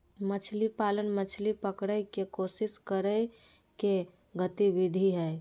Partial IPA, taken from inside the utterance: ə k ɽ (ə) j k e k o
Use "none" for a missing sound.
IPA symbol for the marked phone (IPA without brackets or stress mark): ə